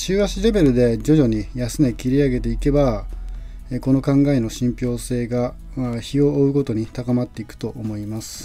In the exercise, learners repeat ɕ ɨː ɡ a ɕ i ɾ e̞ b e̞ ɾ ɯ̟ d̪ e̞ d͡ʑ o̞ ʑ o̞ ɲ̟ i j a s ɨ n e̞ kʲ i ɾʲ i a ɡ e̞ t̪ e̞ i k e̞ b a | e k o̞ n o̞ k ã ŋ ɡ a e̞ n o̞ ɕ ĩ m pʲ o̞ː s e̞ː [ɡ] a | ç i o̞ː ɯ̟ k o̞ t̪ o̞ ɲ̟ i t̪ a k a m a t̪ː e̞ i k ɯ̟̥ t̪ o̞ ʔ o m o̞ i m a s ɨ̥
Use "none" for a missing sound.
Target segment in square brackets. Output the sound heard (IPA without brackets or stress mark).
ɡ